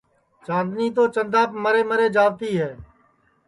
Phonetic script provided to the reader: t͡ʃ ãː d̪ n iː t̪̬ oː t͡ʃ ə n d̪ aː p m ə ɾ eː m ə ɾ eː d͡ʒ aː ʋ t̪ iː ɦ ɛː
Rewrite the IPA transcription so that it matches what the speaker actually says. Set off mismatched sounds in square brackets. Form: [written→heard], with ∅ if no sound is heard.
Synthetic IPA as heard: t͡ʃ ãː d̪ n iː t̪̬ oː t͡ʃ ə n d̪ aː p m ə ɾ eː m ə ɾ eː d͡ʒ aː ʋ t̪ iː ɦ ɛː